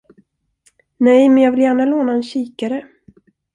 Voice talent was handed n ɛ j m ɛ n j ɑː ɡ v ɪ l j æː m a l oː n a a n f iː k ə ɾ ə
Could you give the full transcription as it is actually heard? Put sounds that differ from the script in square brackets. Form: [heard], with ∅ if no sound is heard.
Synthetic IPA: n ɛ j m ɛ n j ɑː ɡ v ɪ l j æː [ɳ] a l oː n a [ɛ] n [ɕ] iː k [a] ɾ ə